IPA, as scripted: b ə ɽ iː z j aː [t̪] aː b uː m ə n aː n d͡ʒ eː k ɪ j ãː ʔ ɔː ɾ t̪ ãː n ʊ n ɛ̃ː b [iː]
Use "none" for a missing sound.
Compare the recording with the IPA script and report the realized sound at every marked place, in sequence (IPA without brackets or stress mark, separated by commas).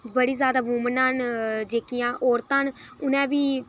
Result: d̪, iː